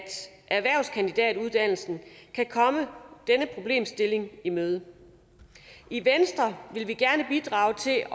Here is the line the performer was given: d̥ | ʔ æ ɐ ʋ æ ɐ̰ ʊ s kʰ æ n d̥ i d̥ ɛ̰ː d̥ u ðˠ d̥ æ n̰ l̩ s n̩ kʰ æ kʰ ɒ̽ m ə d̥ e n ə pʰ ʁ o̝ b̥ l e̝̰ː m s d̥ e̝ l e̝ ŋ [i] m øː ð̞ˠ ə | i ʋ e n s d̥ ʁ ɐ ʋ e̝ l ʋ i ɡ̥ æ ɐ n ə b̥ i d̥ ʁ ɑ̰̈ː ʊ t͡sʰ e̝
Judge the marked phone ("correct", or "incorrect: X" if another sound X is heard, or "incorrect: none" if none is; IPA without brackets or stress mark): correct